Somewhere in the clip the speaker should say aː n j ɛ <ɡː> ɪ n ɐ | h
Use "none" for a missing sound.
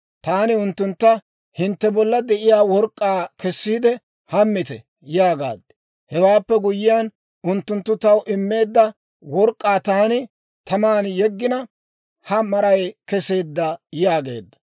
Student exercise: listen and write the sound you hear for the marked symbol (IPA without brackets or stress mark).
ɡː